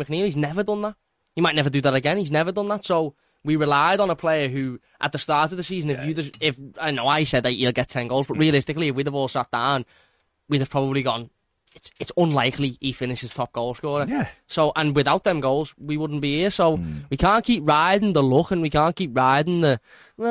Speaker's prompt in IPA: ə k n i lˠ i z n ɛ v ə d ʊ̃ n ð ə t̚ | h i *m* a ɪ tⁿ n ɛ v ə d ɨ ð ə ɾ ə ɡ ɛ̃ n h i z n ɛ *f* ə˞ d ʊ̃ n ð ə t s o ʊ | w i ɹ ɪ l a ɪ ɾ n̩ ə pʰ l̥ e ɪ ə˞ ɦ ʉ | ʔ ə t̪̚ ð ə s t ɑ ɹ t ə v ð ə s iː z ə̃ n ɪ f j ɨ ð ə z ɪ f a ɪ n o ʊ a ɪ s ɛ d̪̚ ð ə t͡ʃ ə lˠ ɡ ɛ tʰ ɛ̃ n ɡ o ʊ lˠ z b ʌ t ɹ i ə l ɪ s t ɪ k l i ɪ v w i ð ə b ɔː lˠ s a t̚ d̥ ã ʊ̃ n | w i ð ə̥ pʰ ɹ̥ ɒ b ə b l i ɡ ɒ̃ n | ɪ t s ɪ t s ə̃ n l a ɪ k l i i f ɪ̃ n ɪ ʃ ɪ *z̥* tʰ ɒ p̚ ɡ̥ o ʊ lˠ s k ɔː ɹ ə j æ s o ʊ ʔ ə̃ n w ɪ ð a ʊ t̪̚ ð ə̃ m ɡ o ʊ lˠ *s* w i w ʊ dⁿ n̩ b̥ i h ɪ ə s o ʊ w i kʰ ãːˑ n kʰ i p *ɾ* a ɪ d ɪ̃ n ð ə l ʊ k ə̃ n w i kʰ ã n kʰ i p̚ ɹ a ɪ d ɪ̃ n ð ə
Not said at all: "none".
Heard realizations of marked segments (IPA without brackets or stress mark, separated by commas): m, v, z̥, z, ɹ